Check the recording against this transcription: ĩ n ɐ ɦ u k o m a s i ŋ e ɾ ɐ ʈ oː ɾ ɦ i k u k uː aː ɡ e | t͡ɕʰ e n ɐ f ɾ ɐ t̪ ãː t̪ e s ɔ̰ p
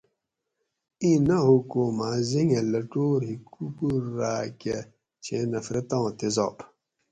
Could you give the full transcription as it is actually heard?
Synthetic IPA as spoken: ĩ n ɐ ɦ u k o m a z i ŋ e l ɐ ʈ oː ɾ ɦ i k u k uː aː k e | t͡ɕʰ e n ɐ f ɾ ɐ t̪ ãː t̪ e z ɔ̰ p